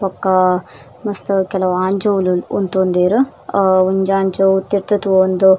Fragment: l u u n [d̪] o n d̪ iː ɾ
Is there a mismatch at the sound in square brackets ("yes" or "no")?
yes